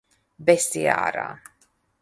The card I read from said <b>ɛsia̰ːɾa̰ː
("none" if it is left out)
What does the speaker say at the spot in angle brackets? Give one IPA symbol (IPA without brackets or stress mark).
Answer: b